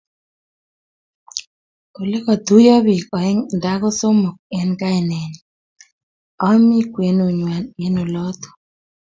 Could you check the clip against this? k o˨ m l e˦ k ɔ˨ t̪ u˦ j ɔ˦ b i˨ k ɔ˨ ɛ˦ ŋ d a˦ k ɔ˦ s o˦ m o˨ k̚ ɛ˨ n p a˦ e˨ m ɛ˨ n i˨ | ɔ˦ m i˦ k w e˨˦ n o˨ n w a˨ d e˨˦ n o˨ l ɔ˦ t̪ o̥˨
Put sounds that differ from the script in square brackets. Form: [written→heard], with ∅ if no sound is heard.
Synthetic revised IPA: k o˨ [m→∅] l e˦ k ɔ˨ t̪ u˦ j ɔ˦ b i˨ k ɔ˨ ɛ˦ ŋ d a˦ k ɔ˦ s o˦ m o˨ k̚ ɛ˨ n [p→k] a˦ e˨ [m→n] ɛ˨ n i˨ | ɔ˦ m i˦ k w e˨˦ n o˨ [n→ɲ] w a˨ [d→n] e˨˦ n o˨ l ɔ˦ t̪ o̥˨